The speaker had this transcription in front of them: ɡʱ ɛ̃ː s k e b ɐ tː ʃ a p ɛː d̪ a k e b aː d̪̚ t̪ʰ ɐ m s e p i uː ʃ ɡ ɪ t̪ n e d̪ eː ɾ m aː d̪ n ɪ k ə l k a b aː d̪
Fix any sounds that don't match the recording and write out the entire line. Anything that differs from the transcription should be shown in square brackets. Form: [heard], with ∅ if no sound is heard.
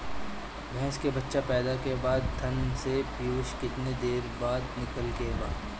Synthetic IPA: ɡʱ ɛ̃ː s k e b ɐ tː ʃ a p ɛː d̪ a k e b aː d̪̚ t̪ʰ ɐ [n] s e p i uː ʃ [k] ɪ t̪ n e d̪ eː ɾ [b] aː d̪ n ɪ k ə l k [e] b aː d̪